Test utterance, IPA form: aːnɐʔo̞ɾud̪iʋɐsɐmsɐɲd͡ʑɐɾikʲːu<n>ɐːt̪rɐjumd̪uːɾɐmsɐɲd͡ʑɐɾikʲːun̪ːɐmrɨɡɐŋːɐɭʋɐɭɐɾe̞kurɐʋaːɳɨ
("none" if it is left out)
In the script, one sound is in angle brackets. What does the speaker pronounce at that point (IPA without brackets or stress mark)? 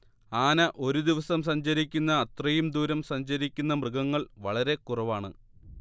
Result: nː